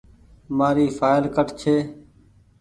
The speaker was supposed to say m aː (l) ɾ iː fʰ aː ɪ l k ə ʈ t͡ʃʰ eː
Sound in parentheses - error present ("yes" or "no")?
yes